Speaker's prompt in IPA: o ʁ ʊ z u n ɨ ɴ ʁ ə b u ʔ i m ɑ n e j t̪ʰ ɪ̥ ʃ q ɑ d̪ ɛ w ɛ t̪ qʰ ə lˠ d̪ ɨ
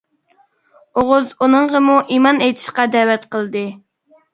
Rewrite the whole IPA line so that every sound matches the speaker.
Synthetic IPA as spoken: o ʁ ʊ z u n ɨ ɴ ʁ ə m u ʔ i m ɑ n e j t̪ʰ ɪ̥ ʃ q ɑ d̪ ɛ w ɛ t̪ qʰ ə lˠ d̪ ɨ